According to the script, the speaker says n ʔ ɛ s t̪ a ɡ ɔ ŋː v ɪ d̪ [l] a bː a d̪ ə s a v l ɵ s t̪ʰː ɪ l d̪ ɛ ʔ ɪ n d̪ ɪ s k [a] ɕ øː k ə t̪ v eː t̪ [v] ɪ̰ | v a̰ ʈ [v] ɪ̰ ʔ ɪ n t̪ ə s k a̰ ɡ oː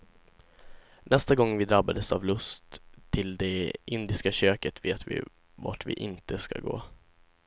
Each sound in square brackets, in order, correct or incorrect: incorrect: ɾ, correct, correct, correct

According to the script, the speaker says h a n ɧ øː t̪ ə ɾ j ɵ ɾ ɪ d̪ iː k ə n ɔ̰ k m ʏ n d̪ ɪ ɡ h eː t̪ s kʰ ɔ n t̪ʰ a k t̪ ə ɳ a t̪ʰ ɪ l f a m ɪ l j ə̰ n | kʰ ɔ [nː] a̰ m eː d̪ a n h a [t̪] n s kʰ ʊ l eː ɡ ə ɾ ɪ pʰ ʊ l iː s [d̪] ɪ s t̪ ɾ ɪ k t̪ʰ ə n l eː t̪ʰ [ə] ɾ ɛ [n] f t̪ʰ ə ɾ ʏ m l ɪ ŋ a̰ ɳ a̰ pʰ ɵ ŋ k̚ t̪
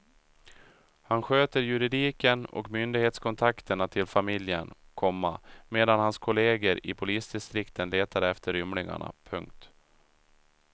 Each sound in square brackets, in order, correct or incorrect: incorrect: mː, incorrect: none, correct, incorrect: a, incorrect: none

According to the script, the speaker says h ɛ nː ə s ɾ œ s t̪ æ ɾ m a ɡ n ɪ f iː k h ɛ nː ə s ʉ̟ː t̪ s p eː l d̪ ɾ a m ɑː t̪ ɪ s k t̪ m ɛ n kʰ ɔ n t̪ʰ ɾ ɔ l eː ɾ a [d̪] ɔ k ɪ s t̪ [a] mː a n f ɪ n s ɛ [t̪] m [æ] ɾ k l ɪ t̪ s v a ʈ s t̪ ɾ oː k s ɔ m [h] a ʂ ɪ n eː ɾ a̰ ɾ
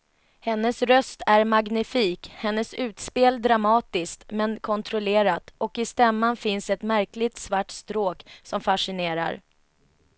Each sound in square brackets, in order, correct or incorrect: incorrect: t̪, incorrect: ɛ, correct, correct, incorrect: f

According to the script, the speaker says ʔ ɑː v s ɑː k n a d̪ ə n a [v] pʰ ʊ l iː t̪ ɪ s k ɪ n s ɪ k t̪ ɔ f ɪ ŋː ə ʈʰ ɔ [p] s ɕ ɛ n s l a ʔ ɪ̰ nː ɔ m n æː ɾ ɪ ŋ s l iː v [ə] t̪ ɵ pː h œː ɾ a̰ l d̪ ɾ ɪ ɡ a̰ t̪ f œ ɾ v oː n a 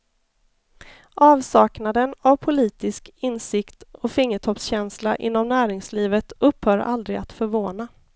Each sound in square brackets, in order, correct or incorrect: correct, correct, correct

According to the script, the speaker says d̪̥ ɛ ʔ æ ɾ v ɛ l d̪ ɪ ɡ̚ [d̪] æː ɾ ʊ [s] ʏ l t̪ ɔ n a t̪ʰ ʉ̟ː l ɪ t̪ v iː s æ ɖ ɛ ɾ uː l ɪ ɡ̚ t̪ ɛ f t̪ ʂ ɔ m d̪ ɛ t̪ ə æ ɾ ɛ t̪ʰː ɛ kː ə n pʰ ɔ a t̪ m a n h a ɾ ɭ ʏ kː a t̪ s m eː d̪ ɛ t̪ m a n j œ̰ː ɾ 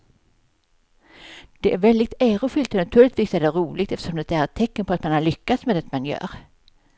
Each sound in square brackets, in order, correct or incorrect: incorrect: t̪, incorrect: f

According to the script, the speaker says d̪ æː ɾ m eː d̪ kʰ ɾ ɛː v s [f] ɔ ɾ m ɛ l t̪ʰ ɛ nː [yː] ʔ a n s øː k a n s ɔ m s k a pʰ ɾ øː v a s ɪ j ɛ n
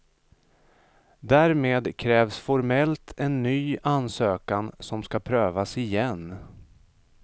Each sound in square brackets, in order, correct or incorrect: correct, correct

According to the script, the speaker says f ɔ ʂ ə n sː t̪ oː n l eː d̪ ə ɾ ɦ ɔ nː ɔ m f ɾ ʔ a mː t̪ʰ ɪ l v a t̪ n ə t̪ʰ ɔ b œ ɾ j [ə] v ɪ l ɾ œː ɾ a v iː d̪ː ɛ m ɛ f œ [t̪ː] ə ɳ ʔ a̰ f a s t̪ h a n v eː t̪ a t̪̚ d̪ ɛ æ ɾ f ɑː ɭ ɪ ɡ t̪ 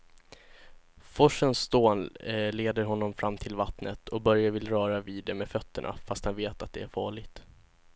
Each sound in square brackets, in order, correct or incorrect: incorrect: a, correct

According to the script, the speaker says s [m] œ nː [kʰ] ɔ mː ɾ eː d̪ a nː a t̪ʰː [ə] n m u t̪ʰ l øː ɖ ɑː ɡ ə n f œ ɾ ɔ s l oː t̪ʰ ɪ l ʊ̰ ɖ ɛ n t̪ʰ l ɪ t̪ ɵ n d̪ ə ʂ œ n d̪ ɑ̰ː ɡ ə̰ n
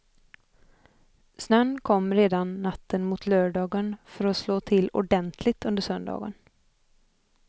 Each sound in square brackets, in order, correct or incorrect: incorrect: n, correct, correct

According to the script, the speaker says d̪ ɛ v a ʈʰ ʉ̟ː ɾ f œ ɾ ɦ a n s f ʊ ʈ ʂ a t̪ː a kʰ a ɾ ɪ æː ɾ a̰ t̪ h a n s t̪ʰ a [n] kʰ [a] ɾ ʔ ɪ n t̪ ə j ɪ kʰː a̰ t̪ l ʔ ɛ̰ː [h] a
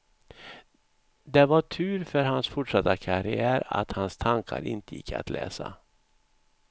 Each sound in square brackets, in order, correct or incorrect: incorrect: ŋ, correct, incorrect: s

